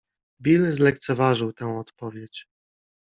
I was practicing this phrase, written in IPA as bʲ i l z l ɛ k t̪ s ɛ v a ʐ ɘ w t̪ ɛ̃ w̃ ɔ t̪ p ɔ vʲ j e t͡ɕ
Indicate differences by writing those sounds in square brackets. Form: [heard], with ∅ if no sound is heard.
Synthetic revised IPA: bʲ i l z l ɛ k t̪ s ɛ v a ʐ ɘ w t̪ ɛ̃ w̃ ɔ t̪ p ɔ vʲ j e t͡ɕ